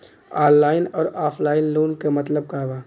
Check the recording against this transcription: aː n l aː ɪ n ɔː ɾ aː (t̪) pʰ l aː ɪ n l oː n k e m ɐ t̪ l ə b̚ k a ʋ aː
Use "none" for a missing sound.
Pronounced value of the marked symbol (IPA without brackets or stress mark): none